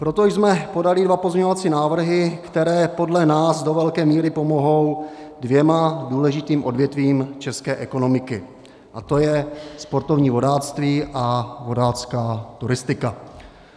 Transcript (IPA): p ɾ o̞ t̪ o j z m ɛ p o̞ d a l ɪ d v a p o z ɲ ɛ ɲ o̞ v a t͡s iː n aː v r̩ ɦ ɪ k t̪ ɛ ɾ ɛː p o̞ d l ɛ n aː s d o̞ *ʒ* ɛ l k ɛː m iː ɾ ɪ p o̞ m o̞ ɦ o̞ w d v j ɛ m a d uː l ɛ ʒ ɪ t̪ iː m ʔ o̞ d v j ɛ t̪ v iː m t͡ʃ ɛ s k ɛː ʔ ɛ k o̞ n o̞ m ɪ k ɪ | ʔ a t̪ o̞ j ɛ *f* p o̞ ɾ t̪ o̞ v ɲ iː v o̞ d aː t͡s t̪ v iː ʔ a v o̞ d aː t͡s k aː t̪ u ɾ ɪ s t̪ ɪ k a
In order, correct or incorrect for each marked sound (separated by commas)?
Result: incorrect, incorrect